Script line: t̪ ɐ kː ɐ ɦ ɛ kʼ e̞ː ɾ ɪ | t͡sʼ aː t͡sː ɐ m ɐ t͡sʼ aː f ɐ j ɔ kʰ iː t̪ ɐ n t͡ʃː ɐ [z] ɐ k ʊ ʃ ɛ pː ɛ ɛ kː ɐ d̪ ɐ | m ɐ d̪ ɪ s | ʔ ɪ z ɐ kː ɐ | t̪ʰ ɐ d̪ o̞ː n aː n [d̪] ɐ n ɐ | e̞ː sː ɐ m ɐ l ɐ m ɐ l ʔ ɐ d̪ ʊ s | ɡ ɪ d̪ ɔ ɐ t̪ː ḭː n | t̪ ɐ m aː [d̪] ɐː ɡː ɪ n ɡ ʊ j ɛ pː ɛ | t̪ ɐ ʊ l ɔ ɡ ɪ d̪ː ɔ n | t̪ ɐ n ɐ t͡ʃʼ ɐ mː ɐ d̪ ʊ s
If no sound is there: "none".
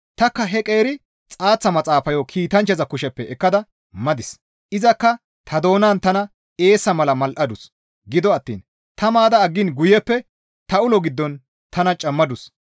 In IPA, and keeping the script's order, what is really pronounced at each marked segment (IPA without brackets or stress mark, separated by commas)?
z, t̪, d̪